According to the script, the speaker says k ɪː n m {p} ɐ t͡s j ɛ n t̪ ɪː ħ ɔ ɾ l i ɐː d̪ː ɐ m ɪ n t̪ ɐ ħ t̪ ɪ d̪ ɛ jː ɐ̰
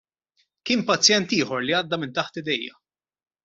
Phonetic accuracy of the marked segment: correct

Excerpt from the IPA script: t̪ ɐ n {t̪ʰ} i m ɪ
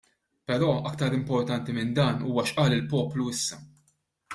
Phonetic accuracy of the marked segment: incorrect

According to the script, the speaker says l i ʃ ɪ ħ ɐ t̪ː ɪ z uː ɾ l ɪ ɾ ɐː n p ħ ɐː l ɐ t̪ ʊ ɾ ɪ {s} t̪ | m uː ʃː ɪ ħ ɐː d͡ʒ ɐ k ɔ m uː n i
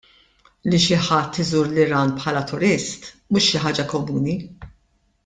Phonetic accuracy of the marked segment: correct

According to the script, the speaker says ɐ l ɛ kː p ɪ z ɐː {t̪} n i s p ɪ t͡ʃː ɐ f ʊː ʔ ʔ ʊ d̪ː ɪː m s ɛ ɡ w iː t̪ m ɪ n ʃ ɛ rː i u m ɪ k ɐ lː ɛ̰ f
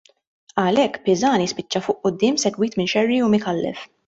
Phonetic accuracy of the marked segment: incorrect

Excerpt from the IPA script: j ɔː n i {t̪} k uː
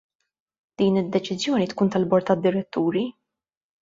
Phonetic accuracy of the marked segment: correct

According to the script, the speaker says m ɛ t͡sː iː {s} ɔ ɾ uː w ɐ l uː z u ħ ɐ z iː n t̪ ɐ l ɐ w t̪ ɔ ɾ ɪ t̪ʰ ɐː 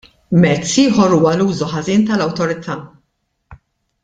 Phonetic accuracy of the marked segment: incorrect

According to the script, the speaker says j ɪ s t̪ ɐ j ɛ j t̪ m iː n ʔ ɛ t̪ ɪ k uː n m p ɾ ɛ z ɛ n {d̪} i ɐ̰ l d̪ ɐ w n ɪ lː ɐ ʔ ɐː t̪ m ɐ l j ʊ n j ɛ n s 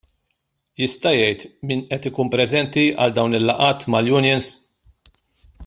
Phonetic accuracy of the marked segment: incorrect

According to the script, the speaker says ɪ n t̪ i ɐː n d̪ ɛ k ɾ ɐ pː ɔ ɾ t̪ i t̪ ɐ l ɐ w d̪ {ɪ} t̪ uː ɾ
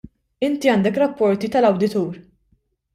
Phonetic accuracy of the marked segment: correct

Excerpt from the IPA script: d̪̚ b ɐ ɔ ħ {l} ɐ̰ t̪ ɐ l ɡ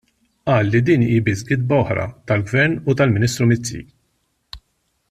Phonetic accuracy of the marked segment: incorrect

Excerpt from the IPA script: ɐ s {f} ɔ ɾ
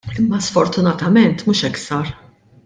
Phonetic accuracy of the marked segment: correct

